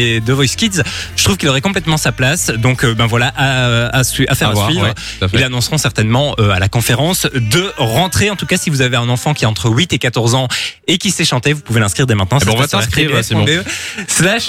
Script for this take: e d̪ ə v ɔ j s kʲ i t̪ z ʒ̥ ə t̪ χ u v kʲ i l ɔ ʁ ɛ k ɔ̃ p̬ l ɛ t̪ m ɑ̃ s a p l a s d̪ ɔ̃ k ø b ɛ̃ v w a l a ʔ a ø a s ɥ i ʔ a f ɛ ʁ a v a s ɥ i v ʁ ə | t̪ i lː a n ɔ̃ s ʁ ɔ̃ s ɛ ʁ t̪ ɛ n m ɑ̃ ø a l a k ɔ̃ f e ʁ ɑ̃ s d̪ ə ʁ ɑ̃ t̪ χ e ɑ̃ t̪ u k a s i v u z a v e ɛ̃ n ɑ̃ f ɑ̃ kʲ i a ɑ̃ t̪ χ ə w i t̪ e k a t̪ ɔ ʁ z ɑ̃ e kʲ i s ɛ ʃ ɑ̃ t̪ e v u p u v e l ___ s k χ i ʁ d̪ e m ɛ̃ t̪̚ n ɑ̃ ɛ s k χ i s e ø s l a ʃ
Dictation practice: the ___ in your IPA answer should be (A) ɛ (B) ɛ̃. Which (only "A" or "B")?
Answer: B